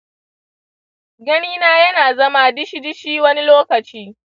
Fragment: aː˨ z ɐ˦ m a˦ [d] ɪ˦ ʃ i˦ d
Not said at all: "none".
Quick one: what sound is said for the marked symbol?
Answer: d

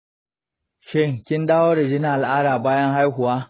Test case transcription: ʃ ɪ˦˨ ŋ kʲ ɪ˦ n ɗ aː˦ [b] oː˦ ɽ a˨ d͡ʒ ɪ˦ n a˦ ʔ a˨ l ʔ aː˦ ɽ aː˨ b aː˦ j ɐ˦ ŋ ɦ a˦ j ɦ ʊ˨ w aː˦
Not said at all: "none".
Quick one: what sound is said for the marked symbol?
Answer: w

